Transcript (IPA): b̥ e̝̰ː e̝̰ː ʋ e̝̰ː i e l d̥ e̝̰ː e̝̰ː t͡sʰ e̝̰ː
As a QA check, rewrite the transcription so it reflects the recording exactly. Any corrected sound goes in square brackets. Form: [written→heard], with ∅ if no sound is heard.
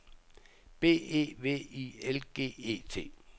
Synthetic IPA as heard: b̥ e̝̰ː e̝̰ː ʋ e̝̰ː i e l [d̥→ɡ̥] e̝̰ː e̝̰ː t͡sʰ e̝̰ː

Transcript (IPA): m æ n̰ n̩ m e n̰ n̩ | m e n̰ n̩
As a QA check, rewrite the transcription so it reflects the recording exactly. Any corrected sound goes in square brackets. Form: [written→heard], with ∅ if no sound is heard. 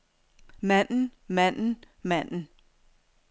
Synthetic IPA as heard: m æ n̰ n̩ m [e→æ] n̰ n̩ | m [e→æ] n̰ n̩

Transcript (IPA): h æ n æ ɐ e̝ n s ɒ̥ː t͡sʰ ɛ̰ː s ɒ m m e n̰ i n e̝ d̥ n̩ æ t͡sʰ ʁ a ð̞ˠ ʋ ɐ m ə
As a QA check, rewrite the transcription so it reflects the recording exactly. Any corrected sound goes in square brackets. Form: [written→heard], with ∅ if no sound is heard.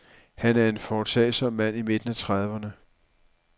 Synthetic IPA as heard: h æ n æ ɐ e̝ n [s→f] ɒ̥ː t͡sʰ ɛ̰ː s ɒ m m [e→æ] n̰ i [n→m] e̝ d̥ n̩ æ t͡sʰ ʁ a ð̞ˠ ʋ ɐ [m→n] ə

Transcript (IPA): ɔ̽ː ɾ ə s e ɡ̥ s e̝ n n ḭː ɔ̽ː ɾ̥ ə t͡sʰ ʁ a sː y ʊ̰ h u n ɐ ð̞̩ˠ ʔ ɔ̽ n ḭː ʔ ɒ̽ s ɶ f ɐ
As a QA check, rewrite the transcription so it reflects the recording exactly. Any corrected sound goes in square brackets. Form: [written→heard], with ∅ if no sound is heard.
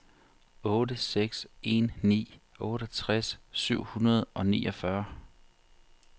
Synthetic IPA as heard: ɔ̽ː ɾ ə s e ɡ̥ s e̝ n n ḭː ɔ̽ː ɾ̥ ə t͡sʰ ʁ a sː y ʊ̰ h u n ɐ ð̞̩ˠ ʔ [ɔ̽→ɒ̽] n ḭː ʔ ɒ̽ [s→f] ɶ [f→∅] ɐ

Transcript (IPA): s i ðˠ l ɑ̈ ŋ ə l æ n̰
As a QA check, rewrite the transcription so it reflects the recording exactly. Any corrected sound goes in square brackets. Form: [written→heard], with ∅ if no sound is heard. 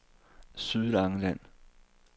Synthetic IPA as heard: s [i→y] ðˠ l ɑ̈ ŋ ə l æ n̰

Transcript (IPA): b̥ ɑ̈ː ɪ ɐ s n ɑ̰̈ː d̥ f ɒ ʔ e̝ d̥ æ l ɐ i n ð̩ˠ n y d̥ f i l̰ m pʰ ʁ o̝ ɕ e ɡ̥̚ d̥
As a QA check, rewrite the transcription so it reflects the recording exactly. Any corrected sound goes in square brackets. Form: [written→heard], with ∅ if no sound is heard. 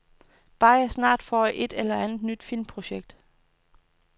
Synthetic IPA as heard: b̥ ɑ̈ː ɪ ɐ s n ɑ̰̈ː d̥ f ɒ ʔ e̝ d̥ [æ→e] l ɐ [i→æ] n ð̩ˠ n y d̥ f i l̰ m pʰ ʁ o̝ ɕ e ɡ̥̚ d̥

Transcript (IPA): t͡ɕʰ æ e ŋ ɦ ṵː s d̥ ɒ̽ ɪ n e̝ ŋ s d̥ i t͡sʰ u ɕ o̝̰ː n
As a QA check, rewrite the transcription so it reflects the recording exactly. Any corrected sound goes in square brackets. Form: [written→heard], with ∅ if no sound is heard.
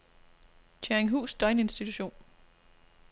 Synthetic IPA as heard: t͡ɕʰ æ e ŋ ɦ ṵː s d̥ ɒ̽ ɪ n e̝ [ŋ→n] s d̥ i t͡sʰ u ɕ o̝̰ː n

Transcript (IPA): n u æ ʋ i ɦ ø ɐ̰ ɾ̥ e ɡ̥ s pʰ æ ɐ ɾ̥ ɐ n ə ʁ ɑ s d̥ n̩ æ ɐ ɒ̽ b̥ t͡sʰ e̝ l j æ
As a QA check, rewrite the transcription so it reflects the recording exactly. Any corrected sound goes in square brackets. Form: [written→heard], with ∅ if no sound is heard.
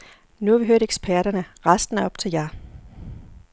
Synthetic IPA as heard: n u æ ʋ i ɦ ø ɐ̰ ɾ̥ e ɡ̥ s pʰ æ ɐ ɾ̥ ɐ n ə ʁ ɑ s d̥ n̩ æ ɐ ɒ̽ b̥ t͡sʰ e̝ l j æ

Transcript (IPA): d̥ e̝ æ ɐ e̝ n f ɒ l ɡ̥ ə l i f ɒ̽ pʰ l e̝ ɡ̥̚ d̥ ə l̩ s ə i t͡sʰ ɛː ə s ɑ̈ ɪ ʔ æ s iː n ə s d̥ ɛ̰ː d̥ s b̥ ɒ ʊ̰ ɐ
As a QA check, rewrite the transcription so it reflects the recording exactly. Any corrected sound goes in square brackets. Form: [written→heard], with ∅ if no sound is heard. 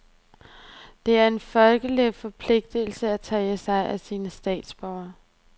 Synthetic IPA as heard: d̥ e̝ æ ɐ e̝ n f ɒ l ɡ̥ ə l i f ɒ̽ pʰ l e̝ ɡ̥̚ d̥ ə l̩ s ə [i→æ] t͡sʰ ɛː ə s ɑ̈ ɪ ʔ æ s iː n ə s d̥ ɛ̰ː d̥ s b̥ ɒ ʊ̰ ɐ

